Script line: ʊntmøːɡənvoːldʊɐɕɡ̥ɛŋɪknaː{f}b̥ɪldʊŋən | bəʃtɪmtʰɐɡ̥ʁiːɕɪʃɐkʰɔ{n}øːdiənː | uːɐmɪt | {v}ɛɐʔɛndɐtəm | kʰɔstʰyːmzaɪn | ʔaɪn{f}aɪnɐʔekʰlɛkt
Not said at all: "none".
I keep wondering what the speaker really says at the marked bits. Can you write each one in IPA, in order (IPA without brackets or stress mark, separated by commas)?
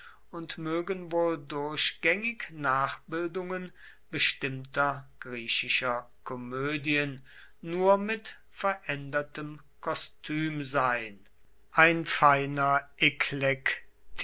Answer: χ, m, f, f